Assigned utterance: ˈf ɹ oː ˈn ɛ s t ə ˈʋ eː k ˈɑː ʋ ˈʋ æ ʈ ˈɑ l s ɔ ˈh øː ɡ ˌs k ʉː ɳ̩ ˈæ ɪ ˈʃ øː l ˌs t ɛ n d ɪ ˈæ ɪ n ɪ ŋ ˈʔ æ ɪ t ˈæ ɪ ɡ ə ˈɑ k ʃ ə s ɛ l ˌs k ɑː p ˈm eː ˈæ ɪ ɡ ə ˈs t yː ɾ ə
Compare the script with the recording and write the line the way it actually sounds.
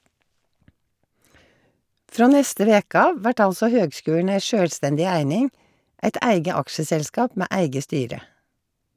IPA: ˈf ɹ oː ˈn ɛ s t ə ˈʋ eː k ˈɑː ʋ ˈʋ æ ʈ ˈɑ l s ɔ ˈh øː ɡ ˌs k ʉː ɳ̩ ˈæ ɪ ˈʃ øː l ˌs t ɛ n d ɪ ˈæ ɪ n ɪ ŋ ˈʔ æ ɪ t ˈæ ɪ ɡ ə ˈɑ k ʃ ə s ɛ l ˌs k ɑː p ˈm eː ˈæ ɪ ɡ ə ˈs t yː ɾ ə